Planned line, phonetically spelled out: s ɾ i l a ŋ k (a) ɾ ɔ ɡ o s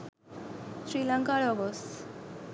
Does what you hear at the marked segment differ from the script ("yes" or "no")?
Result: no